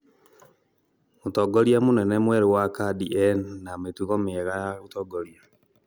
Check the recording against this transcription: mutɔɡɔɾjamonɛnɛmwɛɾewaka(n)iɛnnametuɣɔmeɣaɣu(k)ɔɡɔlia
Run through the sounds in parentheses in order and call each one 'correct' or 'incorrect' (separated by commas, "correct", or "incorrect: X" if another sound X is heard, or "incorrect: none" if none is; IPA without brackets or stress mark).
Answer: incorrect: d, incorrect: t